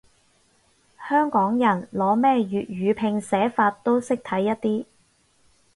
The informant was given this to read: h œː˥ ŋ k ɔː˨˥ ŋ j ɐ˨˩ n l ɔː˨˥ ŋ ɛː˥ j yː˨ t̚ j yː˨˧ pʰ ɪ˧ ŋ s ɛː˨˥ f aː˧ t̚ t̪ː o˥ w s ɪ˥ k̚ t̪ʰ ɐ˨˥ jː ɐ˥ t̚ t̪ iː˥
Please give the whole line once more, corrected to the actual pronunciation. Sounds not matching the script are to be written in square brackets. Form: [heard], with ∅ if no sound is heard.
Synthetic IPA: h œː˥ ŋ k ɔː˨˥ ŋ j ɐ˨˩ n l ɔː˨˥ [m] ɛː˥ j yː˨ t̚ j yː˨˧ pʰ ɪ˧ ŋ s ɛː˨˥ f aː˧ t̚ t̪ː o˥ w s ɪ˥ k̚ t̪ʰ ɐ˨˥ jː ɐ˥ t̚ t̪ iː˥